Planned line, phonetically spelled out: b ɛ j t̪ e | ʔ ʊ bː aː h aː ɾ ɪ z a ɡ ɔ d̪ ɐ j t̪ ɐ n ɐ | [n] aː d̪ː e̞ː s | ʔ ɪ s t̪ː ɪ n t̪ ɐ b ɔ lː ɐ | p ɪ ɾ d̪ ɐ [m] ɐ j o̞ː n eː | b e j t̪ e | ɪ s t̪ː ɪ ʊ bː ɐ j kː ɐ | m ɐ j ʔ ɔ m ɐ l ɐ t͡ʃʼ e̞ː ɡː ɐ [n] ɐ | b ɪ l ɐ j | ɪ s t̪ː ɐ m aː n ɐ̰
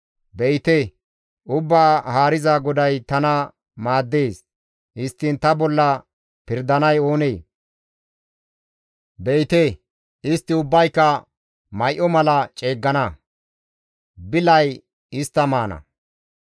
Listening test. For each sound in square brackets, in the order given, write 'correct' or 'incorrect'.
incorrect, incorrect, correct

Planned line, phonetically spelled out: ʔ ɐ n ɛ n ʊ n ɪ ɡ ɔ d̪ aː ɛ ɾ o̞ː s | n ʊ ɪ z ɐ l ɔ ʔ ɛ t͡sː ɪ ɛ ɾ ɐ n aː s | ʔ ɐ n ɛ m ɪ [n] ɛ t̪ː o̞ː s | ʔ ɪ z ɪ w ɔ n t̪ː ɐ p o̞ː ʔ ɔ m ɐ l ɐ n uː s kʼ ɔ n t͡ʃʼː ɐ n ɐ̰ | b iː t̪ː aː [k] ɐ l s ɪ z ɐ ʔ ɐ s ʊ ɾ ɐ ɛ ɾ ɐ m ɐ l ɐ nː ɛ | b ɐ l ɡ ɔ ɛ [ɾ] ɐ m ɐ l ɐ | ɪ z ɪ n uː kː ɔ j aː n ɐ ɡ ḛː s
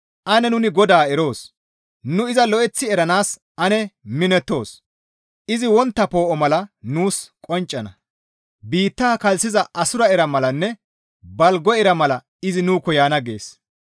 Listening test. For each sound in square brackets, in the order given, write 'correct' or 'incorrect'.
correct, correct, correct

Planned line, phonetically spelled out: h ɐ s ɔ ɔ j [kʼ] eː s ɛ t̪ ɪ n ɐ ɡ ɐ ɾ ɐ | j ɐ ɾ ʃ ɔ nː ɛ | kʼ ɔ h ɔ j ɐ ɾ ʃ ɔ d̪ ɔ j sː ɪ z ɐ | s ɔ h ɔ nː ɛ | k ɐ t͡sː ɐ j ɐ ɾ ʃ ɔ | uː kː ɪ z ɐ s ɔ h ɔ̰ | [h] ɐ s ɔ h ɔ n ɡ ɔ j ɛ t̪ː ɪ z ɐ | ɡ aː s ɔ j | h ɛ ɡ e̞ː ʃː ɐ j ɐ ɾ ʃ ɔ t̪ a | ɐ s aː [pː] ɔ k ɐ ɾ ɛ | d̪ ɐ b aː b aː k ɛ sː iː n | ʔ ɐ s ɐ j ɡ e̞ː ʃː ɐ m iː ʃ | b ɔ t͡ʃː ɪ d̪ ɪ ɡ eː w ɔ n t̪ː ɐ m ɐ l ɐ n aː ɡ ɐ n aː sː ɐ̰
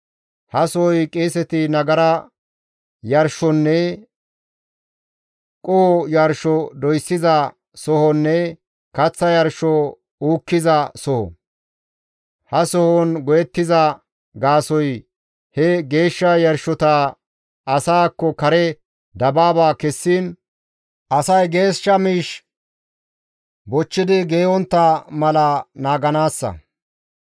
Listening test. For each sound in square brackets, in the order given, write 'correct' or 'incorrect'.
correct, correct, incorrect

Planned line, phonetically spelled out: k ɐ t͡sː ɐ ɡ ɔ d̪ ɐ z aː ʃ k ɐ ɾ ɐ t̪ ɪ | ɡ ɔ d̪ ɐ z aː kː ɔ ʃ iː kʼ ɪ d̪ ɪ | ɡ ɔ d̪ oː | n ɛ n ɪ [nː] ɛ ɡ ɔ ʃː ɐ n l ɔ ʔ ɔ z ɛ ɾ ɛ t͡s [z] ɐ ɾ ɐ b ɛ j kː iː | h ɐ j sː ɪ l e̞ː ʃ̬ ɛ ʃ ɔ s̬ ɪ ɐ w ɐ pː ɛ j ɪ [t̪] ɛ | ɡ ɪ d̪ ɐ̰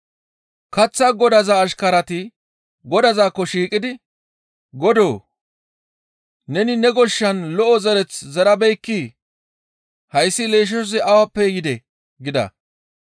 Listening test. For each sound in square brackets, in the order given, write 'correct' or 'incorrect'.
incorrect, correct, incorrect

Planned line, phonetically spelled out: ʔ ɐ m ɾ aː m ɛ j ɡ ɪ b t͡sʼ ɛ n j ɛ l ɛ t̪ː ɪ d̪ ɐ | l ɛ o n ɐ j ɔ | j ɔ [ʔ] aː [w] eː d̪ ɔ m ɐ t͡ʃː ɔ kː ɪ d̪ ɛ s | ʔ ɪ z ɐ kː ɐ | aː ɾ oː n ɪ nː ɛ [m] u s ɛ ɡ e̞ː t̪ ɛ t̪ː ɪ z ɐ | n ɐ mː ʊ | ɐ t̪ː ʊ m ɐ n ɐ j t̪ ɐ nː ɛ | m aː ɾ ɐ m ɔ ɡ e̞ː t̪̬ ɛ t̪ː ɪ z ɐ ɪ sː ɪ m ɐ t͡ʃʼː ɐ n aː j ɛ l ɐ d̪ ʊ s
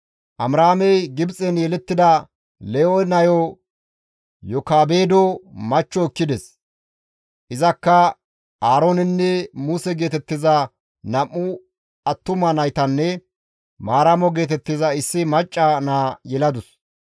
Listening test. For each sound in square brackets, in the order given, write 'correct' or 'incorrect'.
incorrect, incorrect, correct

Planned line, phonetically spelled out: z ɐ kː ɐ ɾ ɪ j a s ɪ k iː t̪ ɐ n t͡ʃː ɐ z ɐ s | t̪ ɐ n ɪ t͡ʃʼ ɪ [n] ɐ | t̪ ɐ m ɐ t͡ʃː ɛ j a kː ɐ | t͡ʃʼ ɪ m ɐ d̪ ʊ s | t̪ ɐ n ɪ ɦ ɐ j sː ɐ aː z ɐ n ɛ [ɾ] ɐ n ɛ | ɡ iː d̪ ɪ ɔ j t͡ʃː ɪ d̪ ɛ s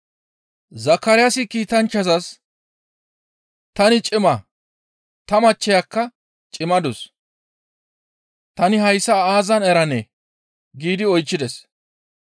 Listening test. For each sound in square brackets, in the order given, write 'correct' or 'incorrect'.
incorrect, correct

